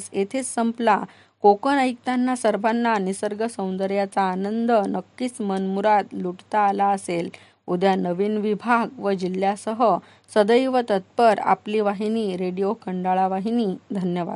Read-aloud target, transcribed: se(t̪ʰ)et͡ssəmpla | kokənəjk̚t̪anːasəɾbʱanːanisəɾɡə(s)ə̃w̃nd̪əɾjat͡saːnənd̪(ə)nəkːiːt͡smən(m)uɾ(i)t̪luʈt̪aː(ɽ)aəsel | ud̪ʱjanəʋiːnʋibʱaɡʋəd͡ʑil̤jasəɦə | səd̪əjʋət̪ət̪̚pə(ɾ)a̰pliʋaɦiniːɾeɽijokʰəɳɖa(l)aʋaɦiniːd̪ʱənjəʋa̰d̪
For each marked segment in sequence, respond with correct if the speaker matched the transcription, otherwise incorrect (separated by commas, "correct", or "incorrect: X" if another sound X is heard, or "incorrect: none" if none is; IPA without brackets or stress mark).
correct, correct, correct, correct, incorrect: a, incorrect: l, correct, incorrect: ɭ